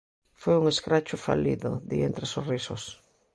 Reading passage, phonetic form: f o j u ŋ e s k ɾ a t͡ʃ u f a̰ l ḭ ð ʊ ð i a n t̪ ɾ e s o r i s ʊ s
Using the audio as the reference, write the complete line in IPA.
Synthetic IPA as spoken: f o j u ŋ e s k ɾ a t͡ʃ ʊ f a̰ l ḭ ð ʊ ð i e n t̪ ɾ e s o r i s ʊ s